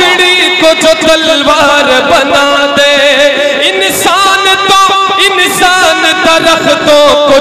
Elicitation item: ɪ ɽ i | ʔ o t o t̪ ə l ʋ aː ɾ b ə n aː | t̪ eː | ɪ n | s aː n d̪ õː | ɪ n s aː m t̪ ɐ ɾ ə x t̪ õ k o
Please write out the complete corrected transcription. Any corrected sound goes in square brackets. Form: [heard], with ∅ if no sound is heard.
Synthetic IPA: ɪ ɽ i | [k] o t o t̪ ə l ʋ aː ɾ b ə n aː | [d̪] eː | ɪ n | s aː n [t̪] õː | ɪ n s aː [n] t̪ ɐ ɾ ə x t̪ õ k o